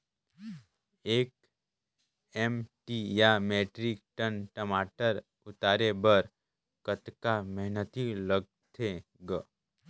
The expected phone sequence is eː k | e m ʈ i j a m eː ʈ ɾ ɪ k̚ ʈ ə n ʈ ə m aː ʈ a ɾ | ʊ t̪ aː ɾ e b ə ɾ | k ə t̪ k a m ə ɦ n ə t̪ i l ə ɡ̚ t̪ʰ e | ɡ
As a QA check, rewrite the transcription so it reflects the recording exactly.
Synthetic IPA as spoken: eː k | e m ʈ i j a m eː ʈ ɾ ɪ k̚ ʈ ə n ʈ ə m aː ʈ ə ɾ | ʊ t̪ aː ɾ e b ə ɾ | k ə t̪ k a m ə ɦ n ə t̪ i l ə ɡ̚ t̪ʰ e | ɡ